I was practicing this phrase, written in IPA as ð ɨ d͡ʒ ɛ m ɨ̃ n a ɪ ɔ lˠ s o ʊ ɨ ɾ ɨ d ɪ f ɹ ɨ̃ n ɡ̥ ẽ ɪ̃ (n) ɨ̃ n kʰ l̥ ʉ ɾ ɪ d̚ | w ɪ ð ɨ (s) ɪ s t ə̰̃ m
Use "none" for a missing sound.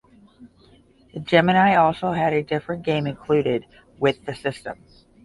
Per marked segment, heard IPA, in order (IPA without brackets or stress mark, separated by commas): m, s